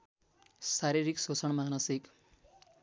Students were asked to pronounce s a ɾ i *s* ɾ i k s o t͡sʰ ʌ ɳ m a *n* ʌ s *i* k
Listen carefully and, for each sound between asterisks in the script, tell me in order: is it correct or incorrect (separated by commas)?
incorrect, correct, correct